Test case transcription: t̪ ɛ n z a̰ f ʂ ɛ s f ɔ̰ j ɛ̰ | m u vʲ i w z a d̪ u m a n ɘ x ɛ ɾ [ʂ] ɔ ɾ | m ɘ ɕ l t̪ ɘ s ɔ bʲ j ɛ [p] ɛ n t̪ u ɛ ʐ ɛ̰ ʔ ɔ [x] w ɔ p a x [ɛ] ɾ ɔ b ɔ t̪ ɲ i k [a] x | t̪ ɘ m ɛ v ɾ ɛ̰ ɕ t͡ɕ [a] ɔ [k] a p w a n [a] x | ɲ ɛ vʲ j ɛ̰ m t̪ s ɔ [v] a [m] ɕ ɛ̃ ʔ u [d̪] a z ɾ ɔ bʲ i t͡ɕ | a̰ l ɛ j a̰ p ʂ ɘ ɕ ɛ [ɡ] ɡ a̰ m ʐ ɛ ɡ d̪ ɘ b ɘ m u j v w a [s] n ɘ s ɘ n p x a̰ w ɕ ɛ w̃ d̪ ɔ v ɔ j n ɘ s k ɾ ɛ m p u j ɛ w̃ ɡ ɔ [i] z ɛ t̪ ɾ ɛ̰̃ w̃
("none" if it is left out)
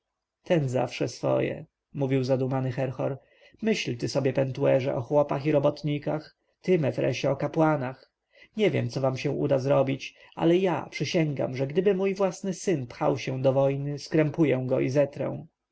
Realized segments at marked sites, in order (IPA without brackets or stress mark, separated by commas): x, p, x, i, a, ɛ, k, a, v, m, d̪, ŋ, s, i